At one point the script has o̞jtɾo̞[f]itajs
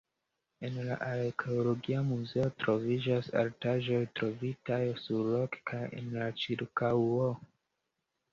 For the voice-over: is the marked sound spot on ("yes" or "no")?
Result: no